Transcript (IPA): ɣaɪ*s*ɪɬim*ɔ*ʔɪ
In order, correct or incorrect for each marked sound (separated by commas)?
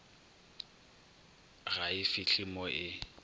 incorrect, correct